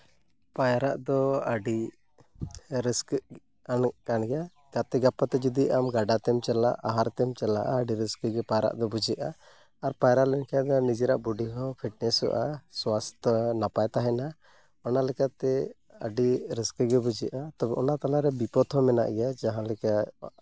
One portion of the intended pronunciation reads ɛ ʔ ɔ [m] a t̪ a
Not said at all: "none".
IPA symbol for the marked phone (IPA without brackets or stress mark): n